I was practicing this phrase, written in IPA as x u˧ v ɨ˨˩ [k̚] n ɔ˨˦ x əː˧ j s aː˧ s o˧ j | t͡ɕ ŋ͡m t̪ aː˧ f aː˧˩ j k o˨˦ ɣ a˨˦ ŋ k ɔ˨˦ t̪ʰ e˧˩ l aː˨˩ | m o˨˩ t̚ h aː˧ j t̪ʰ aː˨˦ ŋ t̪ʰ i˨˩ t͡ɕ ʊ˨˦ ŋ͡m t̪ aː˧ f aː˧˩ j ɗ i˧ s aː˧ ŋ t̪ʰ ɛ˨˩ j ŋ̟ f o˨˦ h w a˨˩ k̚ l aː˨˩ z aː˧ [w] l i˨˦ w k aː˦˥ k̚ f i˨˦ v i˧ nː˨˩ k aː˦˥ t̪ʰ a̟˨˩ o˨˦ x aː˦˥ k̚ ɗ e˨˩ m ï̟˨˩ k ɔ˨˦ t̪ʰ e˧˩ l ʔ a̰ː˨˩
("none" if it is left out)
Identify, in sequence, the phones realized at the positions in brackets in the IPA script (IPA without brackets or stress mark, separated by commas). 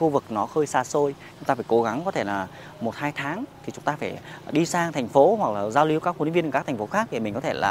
k̚, w